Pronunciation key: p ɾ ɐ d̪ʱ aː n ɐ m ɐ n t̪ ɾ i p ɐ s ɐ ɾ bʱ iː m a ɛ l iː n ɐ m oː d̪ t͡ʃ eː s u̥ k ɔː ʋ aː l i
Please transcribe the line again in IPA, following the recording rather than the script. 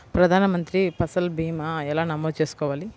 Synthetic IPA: p ɾ ɐ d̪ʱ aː n ɐ m ɐ n t̪ ɾ i p ɐ s ɐ l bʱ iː m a ɛ l aː n ɐ m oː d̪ t͡ʃ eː s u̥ k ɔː ʋ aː l i